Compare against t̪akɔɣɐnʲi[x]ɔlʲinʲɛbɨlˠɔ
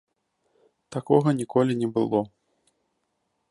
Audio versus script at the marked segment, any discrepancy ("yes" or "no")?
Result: yes